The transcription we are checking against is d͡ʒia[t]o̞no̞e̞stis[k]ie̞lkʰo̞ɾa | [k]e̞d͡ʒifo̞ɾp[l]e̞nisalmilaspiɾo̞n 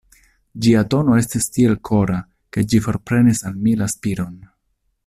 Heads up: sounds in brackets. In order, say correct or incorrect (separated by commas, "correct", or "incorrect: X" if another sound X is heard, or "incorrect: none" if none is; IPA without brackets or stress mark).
correct, incorrect: t, correct, incorrect: ɾ